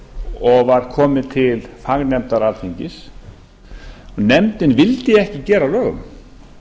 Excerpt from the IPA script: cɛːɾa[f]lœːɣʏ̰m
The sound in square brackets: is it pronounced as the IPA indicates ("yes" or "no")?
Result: no